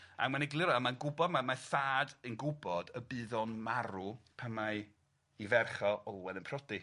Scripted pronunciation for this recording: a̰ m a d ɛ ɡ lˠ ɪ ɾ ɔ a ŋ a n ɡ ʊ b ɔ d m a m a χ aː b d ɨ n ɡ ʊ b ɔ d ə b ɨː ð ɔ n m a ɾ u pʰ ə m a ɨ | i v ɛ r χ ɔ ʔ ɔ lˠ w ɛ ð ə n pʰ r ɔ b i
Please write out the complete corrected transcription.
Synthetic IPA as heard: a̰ m a n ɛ ɡ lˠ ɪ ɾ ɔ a m a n ɡ ʊ b ɔ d m a m a θ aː d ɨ n ɡ ʊ b ɔ d ə b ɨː ð ɔ n m a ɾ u pʰ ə m a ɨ | i v ɛ r χ ɔ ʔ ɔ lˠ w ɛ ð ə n pʰ r ɔ d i

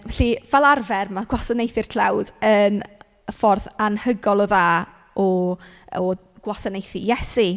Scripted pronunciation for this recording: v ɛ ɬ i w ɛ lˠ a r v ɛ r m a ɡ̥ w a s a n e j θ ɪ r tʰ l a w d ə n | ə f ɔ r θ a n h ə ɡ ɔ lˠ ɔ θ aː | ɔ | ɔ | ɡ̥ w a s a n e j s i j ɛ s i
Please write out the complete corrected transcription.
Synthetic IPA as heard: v ɛ ɬ i v ɛ lˠ a r v ɛ r m a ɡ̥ w a s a n e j θ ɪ r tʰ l a w d ə n | ə f ɔ r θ a n h ə ɡ ɔ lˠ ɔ ð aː | ɔ | ɔ | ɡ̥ w a s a n e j θ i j ɛ s i

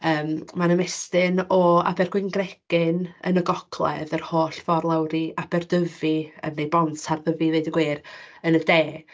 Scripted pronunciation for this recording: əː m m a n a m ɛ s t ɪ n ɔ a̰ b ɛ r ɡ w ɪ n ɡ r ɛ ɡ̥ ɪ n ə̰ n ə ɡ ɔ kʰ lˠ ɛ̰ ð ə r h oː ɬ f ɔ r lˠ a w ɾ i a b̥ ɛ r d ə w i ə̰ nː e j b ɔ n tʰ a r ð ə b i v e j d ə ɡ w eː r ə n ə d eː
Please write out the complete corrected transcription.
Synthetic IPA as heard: əː m m a n ə m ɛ s t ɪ n ɔ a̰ b ɛ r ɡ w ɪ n ɡ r ɛ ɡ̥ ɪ n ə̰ n ə ɡ ɔ kʰ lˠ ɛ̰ ð ə r h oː ɬ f ɔ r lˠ a w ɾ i a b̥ ɛ r d ə v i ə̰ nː e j b ɔ n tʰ a r ð ə v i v e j d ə ɡ w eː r ə n ə d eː

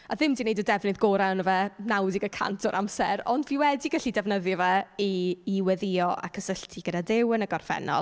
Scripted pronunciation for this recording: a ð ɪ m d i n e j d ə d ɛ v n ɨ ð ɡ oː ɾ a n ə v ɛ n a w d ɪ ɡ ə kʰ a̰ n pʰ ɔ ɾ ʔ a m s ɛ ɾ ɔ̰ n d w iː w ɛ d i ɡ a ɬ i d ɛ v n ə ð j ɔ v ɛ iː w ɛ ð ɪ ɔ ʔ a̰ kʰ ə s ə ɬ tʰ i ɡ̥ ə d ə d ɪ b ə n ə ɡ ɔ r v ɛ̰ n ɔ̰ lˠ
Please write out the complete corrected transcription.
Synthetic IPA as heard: a ð ɪ m d i n e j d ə d ɛ v n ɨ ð ɡ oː ɾ a n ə v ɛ n a w d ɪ ɡ ə kʰ a̰ n tʰ ɔ ɾ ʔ a m s ɛ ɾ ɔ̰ n d v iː w ɛ d i ɡ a ɬ i d ɛ v n ə ð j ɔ v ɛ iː w ɛ ð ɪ ɔ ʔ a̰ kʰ ə s ə ɬ tʰ i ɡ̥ ə d a d ɪ w ə n ə ɡ ɔ r f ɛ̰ n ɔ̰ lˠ

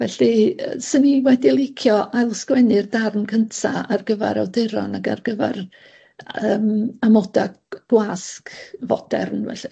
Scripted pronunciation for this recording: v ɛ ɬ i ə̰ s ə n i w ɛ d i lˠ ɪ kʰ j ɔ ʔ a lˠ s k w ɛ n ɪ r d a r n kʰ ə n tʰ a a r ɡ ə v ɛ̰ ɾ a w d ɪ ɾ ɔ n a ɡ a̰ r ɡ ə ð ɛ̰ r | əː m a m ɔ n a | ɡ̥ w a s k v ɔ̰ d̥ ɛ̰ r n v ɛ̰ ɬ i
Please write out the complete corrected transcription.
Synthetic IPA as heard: v ɛ ɬ i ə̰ s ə n i w ɛ d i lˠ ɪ kʰ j ɔ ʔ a lˠ s k w ɛ n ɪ r d a r n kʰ ə n tʰ a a r ɡ ə v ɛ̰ ɾ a w d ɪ ɾ ɔ n a ɡ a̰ r ɡ ə v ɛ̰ r | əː m a m ɔ d a | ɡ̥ w a s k v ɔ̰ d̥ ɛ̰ r n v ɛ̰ ɬ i

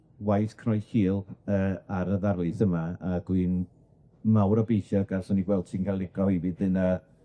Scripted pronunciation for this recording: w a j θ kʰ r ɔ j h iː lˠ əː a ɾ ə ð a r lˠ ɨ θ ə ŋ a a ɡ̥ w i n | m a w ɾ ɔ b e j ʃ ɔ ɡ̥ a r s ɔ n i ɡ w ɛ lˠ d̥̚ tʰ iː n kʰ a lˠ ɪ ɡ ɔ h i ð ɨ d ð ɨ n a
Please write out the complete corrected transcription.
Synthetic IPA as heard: w a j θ kʰ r ɔ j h iː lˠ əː a ɾ ə ð a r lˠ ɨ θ ə m a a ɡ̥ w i n | m a w ɾ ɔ b e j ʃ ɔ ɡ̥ a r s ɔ n i ɡ w ɛ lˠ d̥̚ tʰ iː n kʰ a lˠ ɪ ɡ ɔ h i v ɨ d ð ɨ n a

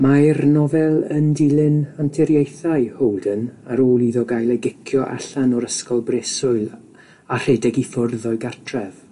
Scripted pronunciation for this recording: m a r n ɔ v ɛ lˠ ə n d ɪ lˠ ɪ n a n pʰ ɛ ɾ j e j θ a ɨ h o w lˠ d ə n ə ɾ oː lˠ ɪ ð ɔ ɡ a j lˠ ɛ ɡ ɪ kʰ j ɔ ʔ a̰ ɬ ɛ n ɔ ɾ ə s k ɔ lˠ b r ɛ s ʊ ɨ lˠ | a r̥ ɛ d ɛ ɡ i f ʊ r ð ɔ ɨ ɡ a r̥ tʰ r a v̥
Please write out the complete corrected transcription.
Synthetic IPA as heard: m a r n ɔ v ɛ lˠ ə n d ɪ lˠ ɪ n a n tʰ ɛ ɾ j e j θ a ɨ h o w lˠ d ə n a ɾ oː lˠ i ð ɔ ɡ a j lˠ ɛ ɡ ɪ kʰ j ɔ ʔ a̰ ɬ a n ɔ ɾ ə s k ɔ lˠ b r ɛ s ʊ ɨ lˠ | a r̥ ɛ d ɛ ɡ i f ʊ r ð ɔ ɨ ɡ a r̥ tʰ r ɛ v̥

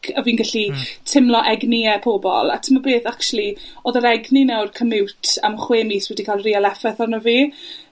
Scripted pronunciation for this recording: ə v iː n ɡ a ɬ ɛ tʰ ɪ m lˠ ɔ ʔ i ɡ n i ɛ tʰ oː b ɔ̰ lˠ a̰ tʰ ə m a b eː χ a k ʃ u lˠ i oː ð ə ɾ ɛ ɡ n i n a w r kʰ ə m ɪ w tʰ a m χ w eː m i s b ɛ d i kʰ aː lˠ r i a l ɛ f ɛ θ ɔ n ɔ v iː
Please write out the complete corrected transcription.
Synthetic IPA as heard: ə v iː n ɡ a ɬ i tʰ ɪ m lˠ ɔ ʔ ɛ ɡ n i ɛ pʰ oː b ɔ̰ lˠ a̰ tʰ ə m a b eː θ a k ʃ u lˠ i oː ð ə ɾ ɛ ɡ n i n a w r kʰ ə m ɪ w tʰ a m χ w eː m i s w ɛ d i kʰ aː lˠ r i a l ɛ f ɛ θ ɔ n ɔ v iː

